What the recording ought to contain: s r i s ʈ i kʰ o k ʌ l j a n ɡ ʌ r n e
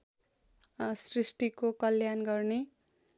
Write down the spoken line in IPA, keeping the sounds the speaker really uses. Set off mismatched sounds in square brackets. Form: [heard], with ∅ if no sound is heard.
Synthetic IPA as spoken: s r i s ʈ i [k] o k ʌ l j a n ɡ ʌ r n e